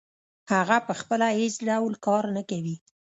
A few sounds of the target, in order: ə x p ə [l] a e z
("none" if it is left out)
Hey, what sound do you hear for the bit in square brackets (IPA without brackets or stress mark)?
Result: l